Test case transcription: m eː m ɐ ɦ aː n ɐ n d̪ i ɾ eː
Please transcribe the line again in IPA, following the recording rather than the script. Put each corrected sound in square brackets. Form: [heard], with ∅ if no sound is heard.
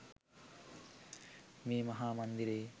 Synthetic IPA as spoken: m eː m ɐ ɦ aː [m] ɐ n d̪ i ɾ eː